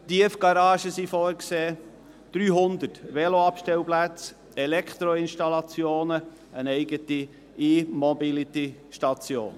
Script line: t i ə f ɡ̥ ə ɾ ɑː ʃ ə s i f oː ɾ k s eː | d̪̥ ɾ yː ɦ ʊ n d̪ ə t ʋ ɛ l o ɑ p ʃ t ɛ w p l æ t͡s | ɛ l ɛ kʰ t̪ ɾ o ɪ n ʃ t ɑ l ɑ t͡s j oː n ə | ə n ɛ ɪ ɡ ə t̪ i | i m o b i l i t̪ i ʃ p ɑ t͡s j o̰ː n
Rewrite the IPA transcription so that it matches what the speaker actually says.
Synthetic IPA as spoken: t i ə f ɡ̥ ɑ ɾ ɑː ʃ ə s i f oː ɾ k s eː | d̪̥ ɾ yː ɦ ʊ n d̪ ə t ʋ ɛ l o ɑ p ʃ t ɛ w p l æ t͡s | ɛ l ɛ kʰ t̪ ɾ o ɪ n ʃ t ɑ l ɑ t͡s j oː n ə | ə n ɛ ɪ ɡ ə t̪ i | i m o b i l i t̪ i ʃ t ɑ t͡s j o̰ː n